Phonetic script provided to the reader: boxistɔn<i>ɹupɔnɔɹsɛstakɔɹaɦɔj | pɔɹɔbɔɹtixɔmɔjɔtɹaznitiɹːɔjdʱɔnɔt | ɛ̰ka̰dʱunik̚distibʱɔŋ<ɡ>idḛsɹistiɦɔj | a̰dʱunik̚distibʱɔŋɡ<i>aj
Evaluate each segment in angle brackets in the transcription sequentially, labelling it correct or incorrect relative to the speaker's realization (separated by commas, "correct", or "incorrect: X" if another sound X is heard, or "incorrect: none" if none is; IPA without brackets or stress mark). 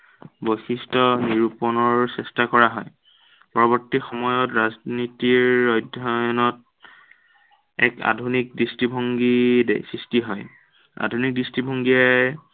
correct, correct, correct